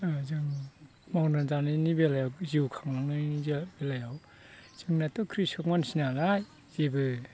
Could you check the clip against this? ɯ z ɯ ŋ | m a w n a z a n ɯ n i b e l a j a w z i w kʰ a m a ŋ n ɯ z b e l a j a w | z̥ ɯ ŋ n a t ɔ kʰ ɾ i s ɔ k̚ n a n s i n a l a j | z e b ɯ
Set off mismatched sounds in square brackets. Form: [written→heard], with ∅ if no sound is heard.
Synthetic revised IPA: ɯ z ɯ ŋ | m a w n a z a n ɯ n i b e l a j a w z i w kʰ a [m→ŋ] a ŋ n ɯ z b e l a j a w | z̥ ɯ ŋ n a t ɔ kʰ ɾ i s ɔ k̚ [n→m] a n s i n a l a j | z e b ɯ